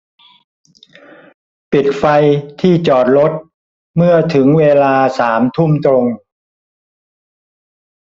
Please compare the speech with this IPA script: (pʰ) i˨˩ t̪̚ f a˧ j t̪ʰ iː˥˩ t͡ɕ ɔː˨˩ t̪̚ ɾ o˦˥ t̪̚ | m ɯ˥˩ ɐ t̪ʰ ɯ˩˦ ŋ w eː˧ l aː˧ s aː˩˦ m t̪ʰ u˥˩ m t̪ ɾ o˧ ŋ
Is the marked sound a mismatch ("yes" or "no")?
yes